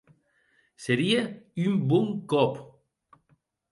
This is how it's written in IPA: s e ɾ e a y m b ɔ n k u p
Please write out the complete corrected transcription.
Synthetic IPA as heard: s e ɾ i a y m b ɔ ŋ k ɔ p